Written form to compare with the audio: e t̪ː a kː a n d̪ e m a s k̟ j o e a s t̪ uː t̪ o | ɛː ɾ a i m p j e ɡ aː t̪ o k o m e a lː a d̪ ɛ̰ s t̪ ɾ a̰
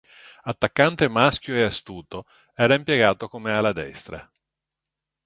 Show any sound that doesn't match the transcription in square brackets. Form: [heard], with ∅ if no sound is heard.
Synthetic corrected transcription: [a] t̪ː a kː a n [t̪] e m a s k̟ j o e a s t̪ uː t̪ o | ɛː ɾ a i m p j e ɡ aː t̪ o k o m e a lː a d̪ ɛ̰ s t̪ ɾ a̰

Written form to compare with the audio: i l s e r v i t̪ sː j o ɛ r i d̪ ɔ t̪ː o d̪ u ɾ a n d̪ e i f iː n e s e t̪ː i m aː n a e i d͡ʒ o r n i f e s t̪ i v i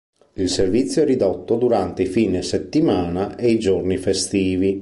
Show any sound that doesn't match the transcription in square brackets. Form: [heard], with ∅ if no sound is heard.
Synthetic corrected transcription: i l s e r v i t̪ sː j o ɛ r i d̪ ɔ t̪ː o d̪ u ɾ a n [t̪] e i f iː n e s e t̪ː i m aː n a e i d͡ʒ o r n i f e s t̪ [iː] v i

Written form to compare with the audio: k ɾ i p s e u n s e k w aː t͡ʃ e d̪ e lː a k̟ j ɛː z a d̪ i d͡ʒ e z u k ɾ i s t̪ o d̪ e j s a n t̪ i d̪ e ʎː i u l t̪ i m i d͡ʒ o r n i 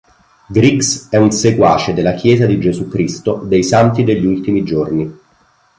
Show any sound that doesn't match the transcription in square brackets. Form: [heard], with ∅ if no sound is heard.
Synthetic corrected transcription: [ɡ] ɾ i [k] s [ɛ] u n s e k w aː t͡ʃ e d̪ e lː a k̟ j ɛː z a d̪ i d͡ʒ e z u k ɾ i s t̪ o d̪ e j s a n t̪ i d̪ e ʎː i u l t̪ i m i d͡ʒ o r n i

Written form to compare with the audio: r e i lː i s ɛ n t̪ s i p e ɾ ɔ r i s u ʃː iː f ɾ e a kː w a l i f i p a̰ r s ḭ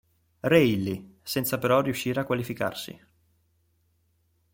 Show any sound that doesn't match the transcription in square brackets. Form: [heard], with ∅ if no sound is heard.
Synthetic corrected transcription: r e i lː i s ɛ n t̪ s [a] p e ɾ ɔ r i [∅] u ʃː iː [∅] ɾ e a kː w a l i f i [k] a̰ r s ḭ

